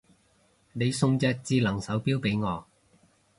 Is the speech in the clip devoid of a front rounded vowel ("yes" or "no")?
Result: yes